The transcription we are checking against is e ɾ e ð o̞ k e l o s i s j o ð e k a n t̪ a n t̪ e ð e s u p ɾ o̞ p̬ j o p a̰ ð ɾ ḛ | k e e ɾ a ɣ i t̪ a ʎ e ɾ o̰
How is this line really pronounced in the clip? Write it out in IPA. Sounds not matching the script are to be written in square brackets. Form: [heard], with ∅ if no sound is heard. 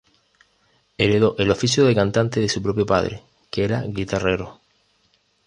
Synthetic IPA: e ɾ e ð o̞ [ʔ] e l o [f] i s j o ð e k a n t̪ a n t̪ e ð e s u p ɾ o̞ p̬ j o p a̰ ð ɾ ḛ | k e e ɾ a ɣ i t̪ a [r] e ɾ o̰